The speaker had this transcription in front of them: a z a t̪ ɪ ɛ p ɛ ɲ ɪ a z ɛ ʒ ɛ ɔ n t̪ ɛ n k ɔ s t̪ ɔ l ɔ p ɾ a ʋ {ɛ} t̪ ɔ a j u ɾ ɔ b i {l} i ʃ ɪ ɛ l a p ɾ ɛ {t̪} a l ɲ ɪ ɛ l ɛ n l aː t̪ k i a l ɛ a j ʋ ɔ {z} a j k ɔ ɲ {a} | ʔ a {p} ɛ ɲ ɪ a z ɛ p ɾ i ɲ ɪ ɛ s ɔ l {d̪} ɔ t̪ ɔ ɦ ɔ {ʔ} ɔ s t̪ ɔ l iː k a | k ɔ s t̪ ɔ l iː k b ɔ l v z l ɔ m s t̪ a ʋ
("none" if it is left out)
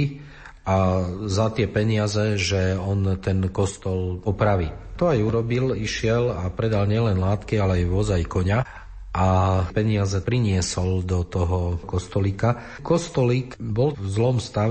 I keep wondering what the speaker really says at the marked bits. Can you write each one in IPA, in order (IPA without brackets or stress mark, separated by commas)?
i, l, d̪, z, a, p, d̪, k